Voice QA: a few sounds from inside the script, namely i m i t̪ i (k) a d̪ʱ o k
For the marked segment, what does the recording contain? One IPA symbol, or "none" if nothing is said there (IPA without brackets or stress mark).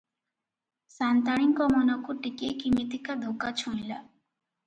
k